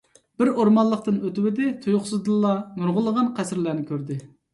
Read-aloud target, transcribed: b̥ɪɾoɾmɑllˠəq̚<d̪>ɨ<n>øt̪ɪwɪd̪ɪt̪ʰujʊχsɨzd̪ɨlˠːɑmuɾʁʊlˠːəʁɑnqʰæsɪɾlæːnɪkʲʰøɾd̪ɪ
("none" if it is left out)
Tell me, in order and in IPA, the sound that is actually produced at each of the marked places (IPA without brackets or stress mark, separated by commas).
t̪, n